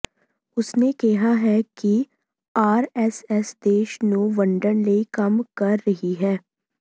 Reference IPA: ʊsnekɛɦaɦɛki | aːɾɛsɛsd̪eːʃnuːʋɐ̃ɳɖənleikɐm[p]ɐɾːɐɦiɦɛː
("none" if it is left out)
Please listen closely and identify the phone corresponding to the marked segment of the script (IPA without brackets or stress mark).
k